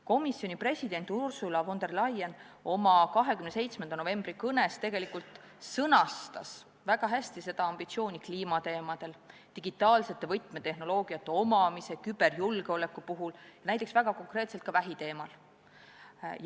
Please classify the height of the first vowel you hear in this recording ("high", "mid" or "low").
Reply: mid